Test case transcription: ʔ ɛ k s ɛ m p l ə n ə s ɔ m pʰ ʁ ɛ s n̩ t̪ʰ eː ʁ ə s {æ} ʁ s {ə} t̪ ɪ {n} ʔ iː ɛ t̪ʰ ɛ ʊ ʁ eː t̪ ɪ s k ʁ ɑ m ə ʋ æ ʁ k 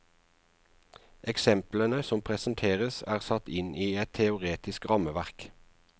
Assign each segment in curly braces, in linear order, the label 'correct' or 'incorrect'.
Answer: incorrect: æː, incorrect: ɑ, correct

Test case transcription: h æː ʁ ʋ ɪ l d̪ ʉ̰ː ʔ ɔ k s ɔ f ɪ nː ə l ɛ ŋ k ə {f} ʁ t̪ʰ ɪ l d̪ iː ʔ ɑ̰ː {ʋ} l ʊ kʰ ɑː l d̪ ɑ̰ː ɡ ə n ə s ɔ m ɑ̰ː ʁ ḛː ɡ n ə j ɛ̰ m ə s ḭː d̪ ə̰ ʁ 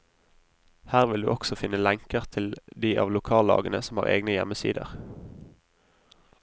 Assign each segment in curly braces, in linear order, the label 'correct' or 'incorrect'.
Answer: incorrect: none, correct

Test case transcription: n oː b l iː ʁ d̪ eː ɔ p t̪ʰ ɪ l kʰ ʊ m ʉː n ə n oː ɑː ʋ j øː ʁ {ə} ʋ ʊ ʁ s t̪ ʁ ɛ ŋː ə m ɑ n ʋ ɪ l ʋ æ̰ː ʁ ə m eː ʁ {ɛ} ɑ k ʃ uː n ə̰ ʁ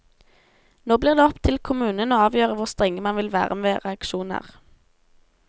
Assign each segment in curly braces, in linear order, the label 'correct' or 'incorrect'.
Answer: correct, correct

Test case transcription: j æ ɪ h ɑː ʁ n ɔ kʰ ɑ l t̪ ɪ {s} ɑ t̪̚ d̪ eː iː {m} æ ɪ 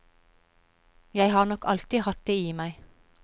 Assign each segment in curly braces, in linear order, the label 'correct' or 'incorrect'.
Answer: incorrect: h, correct

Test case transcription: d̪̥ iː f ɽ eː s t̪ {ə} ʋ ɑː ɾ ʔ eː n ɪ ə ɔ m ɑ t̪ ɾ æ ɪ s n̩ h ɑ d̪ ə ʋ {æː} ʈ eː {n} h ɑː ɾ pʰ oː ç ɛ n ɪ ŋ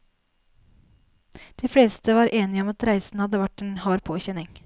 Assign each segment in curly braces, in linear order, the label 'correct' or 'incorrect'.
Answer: correct, incorrect: æ, correct

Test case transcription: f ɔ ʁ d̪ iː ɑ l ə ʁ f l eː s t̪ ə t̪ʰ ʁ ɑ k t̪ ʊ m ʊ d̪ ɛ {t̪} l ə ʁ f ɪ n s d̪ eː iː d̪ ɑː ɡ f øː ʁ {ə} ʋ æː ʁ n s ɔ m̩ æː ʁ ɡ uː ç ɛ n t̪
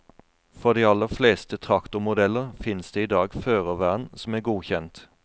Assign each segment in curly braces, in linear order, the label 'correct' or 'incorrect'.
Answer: incorrect: none, correct

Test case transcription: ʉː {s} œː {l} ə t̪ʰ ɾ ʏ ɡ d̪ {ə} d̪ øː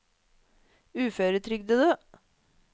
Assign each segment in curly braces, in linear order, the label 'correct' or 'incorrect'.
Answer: incorrect: f, incorrect: ɾ, correct

